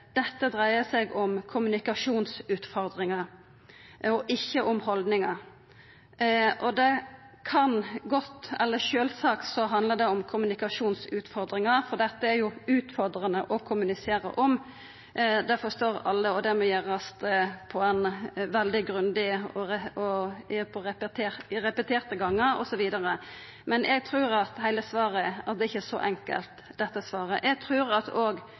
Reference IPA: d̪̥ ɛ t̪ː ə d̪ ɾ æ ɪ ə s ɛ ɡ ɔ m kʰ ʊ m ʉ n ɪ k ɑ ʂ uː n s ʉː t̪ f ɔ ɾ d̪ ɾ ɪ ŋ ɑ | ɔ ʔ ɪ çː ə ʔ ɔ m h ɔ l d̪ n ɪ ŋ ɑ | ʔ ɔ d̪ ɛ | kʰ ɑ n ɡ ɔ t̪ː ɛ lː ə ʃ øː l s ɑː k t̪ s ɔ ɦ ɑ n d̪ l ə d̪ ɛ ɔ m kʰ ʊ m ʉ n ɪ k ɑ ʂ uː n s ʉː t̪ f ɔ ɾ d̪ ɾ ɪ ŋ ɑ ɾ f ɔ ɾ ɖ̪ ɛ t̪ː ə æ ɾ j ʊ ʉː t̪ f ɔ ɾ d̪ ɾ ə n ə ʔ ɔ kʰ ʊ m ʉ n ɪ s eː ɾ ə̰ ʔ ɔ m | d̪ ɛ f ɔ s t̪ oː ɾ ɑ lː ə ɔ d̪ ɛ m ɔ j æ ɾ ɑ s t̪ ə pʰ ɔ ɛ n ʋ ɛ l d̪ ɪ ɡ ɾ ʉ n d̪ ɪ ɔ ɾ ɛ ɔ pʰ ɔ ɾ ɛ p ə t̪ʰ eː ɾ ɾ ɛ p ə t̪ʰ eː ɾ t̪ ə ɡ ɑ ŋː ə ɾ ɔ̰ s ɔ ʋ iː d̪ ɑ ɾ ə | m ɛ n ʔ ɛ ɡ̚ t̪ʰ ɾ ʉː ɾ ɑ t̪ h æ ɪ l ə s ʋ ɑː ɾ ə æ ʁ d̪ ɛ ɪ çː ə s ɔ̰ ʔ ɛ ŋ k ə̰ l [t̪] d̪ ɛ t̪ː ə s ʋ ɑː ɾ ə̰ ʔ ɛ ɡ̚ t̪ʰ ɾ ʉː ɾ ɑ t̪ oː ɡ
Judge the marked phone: correct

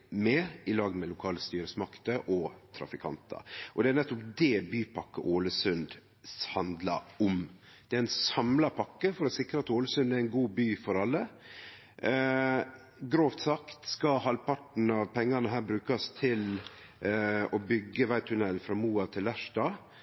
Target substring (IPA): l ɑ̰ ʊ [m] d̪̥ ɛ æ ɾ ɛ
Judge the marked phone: correct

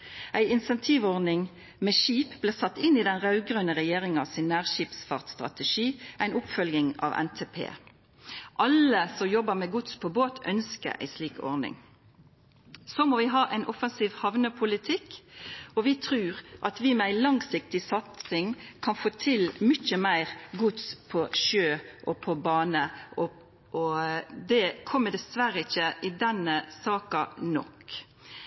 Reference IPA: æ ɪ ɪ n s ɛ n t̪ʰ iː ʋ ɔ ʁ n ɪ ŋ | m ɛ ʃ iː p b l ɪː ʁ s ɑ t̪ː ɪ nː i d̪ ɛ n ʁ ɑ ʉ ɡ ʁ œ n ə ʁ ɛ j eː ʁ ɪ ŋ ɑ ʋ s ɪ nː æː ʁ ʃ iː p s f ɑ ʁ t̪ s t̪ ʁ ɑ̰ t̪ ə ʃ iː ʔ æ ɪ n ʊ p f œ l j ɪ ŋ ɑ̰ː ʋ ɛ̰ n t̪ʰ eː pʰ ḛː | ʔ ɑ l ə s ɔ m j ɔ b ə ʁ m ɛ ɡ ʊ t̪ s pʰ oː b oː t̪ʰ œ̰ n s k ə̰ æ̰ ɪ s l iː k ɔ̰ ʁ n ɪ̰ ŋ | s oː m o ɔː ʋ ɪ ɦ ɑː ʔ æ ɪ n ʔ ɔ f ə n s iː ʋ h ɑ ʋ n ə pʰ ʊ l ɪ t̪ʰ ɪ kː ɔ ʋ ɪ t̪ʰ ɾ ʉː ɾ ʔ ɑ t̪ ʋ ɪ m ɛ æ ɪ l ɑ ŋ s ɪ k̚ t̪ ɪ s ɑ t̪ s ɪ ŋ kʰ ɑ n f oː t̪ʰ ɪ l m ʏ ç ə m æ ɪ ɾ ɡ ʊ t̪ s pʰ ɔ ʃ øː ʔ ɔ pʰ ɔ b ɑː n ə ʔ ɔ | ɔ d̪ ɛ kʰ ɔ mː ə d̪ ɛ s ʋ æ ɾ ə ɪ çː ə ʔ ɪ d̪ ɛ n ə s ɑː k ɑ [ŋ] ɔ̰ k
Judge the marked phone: incorrect: n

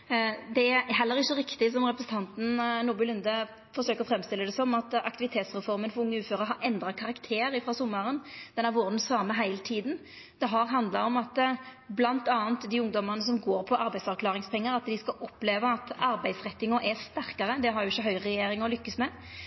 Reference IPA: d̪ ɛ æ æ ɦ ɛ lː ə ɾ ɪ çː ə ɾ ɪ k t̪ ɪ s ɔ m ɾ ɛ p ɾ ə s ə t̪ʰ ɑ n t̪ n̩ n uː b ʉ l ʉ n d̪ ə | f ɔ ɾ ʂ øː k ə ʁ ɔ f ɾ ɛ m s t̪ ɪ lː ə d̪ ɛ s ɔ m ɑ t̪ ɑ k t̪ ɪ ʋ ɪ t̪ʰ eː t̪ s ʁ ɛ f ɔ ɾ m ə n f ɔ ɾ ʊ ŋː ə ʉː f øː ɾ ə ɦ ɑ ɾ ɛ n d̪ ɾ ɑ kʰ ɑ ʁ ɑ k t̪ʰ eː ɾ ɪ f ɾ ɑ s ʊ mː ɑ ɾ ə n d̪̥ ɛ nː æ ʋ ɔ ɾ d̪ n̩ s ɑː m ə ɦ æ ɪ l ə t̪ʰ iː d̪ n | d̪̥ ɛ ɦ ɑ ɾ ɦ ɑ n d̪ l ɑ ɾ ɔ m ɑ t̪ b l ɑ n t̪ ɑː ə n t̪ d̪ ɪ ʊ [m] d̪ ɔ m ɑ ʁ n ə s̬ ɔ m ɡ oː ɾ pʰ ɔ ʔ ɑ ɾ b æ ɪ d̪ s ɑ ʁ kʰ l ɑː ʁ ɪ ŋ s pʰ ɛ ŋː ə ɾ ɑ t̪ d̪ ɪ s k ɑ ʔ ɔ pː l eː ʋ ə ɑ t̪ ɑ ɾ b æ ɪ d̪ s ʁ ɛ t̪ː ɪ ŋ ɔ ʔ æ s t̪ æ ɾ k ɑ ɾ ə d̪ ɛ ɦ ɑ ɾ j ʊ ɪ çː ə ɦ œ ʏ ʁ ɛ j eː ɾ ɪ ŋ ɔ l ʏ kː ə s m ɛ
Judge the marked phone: incorrect: ŋ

